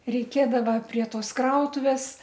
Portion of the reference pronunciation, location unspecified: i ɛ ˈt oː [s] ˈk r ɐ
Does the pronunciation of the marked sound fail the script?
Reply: no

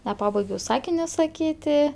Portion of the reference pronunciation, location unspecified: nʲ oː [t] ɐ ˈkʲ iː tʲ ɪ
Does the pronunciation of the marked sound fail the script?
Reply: yes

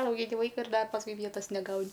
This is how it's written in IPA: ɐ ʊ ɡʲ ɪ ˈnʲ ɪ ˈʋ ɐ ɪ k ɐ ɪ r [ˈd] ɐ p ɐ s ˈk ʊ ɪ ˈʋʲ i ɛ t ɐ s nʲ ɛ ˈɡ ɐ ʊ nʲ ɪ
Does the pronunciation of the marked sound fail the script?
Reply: no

